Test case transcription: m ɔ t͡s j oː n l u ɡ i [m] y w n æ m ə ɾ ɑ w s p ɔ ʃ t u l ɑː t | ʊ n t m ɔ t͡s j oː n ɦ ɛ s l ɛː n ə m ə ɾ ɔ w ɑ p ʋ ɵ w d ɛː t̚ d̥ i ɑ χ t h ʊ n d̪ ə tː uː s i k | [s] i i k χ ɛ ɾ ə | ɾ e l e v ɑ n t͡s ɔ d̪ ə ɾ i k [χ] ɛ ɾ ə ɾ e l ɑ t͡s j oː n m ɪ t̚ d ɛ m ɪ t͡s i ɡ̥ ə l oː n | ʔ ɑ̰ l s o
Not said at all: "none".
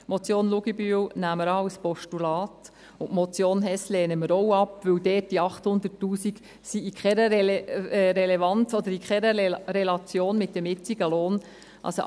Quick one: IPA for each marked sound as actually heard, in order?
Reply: b, s, χ

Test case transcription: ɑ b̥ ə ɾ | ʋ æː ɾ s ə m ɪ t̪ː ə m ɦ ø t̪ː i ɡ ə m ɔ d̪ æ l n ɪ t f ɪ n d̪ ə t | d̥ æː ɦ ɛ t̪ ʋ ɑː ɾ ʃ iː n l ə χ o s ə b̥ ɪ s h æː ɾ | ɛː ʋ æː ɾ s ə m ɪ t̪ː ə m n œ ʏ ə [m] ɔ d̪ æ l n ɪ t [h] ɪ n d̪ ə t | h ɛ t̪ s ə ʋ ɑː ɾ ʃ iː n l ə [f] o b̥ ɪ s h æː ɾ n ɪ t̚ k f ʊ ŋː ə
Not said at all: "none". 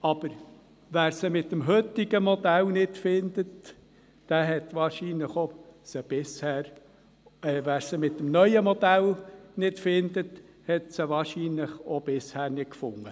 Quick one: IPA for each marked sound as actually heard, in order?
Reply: m, f, χ

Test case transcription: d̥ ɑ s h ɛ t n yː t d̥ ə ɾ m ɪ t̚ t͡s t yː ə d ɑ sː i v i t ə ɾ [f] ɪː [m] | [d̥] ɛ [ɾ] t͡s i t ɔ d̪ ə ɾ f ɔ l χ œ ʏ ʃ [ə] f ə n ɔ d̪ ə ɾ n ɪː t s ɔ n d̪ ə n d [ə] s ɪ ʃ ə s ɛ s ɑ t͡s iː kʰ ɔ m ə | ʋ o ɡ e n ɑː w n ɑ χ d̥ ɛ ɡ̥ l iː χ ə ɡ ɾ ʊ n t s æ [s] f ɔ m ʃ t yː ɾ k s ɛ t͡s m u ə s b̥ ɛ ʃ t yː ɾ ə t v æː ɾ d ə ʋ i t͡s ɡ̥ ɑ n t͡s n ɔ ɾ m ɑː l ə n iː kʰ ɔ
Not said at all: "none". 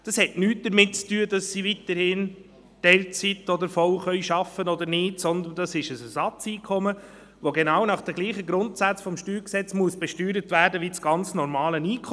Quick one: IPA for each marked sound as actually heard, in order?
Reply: h, n, d̥, l, ɑ, ɑ, t͡s

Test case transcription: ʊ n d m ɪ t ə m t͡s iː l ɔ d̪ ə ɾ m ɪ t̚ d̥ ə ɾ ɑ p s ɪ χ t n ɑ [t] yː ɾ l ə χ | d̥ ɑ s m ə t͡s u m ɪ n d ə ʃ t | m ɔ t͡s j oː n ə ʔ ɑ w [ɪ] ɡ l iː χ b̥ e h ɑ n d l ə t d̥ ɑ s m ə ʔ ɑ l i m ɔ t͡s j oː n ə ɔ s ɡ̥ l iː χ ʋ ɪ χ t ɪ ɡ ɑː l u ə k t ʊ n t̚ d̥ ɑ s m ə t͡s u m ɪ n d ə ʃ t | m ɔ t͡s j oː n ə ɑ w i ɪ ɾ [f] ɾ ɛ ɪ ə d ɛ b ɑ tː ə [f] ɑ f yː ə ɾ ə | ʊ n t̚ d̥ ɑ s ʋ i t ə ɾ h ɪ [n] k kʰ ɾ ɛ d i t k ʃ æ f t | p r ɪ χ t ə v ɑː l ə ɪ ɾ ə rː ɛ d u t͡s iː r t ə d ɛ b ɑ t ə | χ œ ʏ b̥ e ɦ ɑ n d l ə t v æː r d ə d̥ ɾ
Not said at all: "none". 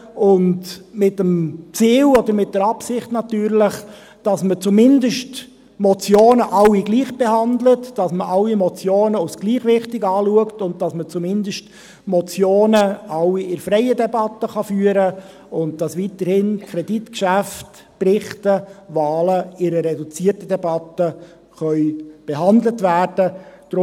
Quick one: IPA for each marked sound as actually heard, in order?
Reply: t, i, f, χ, n

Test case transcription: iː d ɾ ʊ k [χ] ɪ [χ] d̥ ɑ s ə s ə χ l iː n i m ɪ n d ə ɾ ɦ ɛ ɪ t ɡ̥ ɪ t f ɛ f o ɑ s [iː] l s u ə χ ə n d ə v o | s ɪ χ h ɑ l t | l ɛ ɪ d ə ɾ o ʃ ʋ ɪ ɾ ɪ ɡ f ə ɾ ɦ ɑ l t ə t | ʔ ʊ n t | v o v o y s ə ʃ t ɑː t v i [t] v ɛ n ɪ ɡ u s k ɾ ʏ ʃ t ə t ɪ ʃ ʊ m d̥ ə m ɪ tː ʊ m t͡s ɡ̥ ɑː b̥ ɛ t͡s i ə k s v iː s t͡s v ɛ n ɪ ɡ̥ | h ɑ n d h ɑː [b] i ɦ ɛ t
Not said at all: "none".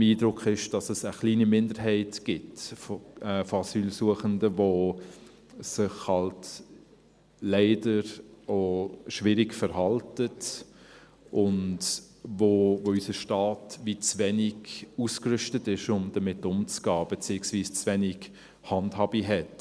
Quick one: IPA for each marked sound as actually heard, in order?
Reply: χ, ʃ, yː, t͡s, b

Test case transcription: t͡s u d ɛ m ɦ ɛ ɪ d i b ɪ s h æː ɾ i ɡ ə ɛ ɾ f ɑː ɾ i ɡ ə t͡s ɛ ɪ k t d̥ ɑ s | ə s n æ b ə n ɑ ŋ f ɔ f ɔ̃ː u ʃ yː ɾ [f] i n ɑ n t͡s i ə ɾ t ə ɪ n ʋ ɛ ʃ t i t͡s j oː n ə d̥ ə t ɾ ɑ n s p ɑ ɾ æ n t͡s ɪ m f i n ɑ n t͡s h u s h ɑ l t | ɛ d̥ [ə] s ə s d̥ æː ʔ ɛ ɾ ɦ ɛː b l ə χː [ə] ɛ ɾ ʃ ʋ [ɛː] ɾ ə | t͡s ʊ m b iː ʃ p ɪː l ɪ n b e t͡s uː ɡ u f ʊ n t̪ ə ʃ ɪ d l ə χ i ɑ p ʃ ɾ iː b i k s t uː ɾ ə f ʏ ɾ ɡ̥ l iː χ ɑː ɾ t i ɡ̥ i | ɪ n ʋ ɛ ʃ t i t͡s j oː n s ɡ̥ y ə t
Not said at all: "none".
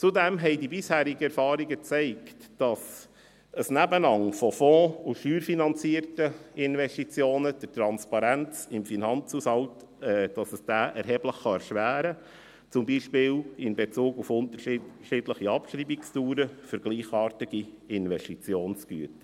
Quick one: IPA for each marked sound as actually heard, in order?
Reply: f, ɑ, ɑ, æː

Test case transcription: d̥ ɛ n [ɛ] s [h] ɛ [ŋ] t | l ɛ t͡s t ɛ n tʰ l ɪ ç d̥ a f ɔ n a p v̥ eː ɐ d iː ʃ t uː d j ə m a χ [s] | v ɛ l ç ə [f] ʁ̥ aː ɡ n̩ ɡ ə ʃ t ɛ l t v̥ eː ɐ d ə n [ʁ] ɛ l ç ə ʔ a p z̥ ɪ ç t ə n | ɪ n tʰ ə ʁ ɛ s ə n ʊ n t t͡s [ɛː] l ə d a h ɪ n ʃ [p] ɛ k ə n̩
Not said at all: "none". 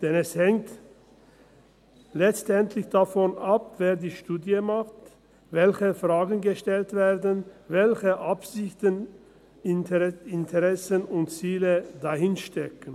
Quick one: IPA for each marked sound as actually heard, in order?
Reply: ɛ, h, ŋ, t, f, v, iː, t

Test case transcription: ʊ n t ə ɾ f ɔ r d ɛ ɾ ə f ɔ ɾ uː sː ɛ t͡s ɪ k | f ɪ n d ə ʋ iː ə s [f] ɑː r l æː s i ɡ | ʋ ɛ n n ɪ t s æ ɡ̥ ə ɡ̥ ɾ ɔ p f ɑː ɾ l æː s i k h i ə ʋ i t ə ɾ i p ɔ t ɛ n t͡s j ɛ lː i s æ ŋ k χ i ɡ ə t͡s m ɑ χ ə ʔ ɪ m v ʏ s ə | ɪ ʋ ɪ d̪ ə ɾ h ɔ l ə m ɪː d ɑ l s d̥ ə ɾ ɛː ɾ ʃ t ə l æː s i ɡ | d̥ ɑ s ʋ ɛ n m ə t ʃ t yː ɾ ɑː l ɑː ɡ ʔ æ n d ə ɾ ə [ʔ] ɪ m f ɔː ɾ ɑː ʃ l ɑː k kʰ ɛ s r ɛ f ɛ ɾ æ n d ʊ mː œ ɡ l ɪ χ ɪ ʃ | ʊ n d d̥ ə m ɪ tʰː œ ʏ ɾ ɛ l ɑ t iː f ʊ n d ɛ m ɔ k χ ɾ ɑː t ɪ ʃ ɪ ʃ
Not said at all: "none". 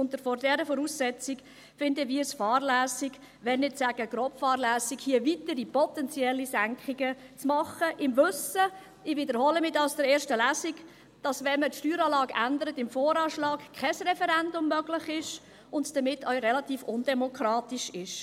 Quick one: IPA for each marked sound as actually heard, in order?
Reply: f, t

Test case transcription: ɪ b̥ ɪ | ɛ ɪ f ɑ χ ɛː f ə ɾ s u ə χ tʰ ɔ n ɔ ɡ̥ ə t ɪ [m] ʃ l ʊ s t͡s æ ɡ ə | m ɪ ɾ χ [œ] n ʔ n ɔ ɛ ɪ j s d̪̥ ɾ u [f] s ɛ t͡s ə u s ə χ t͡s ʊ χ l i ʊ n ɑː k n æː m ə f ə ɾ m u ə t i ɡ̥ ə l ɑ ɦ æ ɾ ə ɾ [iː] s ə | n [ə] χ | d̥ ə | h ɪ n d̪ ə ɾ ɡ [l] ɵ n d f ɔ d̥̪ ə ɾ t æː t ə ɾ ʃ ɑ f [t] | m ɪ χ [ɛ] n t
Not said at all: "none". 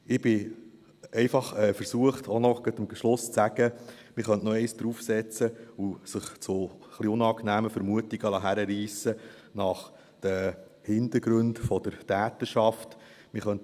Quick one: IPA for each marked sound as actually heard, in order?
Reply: m, œ, f, iː, ɑ, ɾ, t, œ

